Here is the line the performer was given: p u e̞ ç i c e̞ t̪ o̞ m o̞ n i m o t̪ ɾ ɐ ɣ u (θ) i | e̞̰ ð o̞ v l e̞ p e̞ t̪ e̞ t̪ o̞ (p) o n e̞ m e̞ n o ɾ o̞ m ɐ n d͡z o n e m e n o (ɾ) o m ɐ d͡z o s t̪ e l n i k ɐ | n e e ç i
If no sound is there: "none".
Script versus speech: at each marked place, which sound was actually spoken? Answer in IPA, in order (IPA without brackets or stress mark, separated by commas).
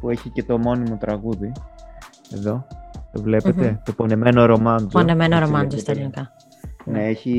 ð, p, ɾ